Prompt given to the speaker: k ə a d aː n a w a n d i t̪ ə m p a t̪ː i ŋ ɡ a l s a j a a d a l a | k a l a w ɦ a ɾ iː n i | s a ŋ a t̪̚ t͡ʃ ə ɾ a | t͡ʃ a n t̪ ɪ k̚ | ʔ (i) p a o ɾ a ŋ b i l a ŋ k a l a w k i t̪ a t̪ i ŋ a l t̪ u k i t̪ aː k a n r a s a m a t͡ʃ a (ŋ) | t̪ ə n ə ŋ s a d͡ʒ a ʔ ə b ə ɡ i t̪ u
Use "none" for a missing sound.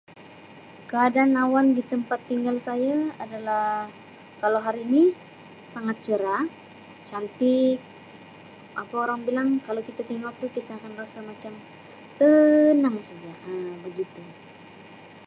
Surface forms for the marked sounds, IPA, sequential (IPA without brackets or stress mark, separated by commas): a, m